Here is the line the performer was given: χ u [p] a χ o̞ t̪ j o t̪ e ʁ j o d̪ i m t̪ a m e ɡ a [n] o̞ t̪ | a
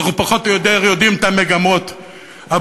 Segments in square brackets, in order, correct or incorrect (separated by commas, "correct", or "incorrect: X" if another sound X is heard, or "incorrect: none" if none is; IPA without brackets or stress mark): correct, incorrect: m